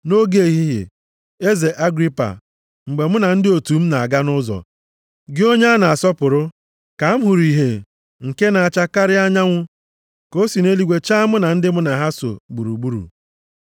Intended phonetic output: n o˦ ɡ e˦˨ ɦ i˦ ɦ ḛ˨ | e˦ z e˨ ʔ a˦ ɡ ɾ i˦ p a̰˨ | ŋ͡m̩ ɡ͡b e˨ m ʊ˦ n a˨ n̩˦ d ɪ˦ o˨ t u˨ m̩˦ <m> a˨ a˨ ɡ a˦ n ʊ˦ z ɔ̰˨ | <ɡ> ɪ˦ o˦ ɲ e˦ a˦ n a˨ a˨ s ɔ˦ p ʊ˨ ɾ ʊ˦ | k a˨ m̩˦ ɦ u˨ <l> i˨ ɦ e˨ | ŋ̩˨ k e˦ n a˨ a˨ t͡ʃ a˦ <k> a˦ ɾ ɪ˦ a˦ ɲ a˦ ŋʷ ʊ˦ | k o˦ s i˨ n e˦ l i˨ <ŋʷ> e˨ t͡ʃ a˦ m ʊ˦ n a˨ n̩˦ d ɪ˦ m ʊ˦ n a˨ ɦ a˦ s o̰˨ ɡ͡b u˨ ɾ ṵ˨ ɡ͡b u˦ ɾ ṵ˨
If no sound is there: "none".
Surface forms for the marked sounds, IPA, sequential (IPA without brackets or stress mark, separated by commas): n, ɡ, ɾ, k, ɡʷ